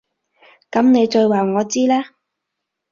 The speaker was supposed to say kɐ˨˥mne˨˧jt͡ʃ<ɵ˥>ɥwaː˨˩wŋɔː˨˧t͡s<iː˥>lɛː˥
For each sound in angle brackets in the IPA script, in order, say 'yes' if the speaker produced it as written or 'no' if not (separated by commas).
no, yes